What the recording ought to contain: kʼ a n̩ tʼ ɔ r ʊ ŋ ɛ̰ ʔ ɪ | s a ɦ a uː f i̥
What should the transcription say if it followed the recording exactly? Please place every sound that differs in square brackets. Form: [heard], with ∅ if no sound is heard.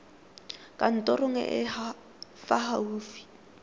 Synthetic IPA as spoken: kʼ a n̩ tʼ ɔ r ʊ ŋ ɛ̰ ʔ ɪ | [f] a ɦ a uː f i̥